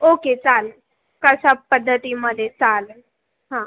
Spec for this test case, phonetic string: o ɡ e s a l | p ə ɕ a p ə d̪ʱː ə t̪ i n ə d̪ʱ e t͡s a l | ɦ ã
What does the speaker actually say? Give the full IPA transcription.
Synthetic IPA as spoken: o k e t͡s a l | k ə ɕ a p ə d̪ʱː ə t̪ i m ə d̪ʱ e t͡s a l | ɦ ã